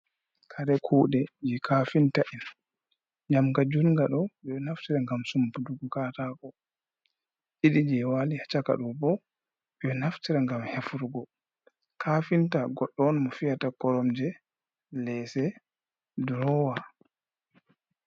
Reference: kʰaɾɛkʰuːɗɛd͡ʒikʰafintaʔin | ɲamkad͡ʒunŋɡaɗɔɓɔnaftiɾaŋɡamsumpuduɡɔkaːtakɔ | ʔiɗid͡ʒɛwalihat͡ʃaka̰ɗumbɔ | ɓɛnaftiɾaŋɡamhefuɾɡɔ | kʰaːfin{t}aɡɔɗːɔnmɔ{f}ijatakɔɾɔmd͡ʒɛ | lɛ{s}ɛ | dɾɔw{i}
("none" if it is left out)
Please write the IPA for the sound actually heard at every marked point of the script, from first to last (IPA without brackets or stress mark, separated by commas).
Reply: t, f, s, a